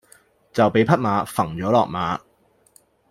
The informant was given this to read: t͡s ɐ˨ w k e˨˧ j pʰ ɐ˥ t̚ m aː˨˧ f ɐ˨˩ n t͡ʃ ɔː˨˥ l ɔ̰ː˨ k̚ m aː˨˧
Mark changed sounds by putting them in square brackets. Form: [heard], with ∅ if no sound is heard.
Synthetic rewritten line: t͡s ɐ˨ w [p] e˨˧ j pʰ ɐ˥ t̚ m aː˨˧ f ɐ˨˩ [ŋ] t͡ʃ ɔː˨˥ l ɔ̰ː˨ k̚ m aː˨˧